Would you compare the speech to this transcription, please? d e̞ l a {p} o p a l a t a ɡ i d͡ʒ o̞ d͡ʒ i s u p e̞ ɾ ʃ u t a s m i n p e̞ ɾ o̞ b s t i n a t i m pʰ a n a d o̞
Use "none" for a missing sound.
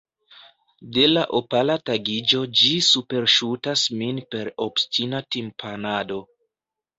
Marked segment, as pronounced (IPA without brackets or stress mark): ʔ